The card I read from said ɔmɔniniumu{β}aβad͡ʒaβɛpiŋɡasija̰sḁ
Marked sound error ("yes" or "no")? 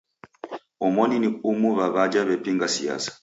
no